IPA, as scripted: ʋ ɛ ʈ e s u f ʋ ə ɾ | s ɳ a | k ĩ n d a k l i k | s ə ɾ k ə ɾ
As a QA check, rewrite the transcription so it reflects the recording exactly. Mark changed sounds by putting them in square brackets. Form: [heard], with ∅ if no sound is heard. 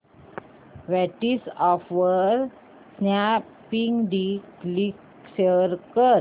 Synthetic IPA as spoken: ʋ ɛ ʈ [i] s [ɔ] f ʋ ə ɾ | s [n] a | [p] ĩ [ŋ] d [i] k l i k | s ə ɾ k ə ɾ